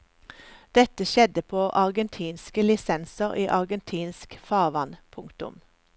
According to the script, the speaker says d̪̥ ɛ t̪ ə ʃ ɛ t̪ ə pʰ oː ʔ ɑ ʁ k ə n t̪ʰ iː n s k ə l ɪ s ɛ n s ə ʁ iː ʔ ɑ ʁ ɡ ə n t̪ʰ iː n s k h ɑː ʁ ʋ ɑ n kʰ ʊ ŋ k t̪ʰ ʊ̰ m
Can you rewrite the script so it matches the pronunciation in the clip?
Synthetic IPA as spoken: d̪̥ ɛ t̪ ə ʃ ɛ d̪ ə pʰ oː ʔ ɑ ʁ ɡ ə n t̪ʰ iː n s k ə l ɪ s ɛ n s ə ʁ iː ʔ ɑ ʁ ɡ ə n t̪ʰ iː n s k f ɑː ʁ ʋ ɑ n pʰ ʊ ŋ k t̪ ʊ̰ m